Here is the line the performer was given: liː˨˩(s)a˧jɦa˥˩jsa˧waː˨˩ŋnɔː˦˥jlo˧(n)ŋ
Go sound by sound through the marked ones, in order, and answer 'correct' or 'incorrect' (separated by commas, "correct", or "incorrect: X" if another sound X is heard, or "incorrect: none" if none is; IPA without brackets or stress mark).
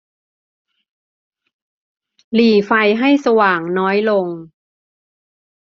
incorrect: f, incorrect: none